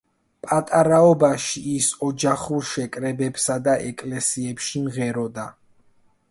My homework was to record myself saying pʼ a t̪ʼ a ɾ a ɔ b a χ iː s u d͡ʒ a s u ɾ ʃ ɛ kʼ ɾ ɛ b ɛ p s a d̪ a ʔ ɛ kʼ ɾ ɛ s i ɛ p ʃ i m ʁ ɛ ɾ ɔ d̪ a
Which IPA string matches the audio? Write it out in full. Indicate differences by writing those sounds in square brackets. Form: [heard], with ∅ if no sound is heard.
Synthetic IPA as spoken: pʼ a t̪ʼ a ɾ a ɔ b a [ʃ] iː s [ɔ] d͡ʒ a [χ] u ɾ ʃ ɛ kʼ ɾ ɛ b ɛ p s a d̪ a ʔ ɛ kʼ [l] ɛ s i ɛ p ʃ i m ʁ ɛ ɾ ɔ d̪ a